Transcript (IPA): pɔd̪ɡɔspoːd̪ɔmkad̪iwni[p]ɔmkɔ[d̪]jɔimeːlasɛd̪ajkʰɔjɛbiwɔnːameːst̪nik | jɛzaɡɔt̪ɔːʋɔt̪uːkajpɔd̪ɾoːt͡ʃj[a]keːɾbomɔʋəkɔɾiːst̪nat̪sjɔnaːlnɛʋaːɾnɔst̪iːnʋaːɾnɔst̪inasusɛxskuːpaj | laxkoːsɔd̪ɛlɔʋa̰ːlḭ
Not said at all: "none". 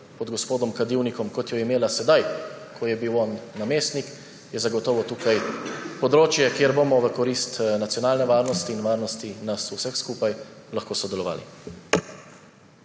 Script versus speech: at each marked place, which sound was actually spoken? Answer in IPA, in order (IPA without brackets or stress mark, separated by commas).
k, t̪, ɛ